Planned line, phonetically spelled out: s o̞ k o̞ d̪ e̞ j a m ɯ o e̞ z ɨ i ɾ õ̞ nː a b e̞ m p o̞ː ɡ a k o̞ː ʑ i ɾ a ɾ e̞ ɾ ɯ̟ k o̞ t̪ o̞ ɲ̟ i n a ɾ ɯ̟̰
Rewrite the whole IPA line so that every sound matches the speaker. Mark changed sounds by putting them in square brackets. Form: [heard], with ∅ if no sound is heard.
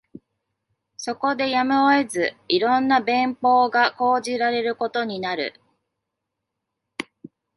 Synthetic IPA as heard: s o̞ k o̞ d̪ e̞ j a m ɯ o e̞ z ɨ i ɾ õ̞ nː a b [ẽ̞] m p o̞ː ɡ a k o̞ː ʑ i ɾ a ɾ e̞ ɾ ɯ̟ k o̞ t̪ o̞ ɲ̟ i n a ɾ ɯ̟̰